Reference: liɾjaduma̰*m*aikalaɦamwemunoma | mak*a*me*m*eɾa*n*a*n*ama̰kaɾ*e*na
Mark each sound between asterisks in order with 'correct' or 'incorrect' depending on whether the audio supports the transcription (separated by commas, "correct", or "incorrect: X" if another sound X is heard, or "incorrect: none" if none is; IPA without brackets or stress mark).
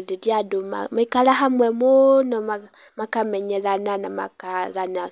correct, correct, incorrect: ɲ, correct, correct, incorrect: a